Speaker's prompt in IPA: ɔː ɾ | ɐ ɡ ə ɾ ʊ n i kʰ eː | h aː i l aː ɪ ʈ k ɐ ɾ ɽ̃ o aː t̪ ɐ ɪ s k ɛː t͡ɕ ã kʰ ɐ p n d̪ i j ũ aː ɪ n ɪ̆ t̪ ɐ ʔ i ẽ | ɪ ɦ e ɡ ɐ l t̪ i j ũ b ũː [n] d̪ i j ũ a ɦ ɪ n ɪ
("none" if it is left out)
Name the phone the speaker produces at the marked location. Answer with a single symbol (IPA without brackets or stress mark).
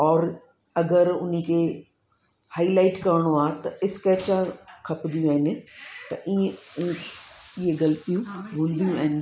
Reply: n